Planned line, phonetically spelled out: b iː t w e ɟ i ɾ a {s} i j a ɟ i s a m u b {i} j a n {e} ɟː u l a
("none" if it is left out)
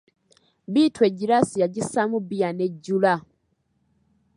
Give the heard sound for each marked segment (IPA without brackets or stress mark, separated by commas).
s, i, e